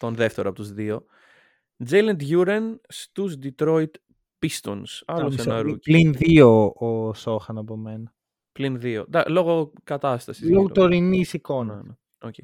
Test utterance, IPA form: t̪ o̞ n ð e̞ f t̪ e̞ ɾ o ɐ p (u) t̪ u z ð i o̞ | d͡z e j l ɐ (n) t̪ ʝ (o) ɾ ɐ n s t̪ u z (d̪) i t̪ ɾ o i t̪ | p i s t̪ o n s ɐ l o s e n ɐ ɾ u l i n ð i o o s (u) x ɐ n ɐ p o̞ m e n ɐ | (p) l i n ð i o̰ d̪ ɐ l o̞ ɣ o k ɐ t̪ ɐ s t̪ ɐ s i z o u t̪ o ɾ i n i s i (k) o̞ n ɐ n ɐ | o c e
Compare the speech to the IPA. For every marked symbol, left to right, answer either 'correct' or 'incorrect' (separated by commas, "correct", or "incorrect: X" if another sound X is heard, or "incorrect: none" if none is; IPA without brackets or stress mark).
incorrect: o, correct, incorrect: u, correct, incorrect: o, correct, correct